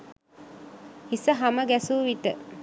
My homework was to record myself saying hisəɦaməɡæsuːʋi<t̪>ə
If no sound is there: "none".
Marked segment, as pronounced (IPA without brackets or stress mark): t̪